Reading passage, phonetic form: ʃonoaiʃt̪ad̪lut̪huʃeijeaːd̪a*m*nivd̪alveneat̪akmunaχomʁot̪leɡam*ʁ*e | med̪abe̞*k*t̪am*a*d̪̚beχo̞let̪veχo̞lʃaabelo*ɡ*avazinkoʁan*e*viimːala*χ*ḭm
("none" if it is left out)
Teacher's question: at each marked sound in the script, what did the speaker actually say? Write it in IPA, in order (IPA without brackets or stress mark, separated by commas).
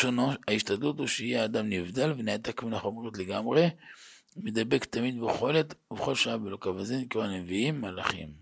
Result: m, ʁ, k, i, k, e, χ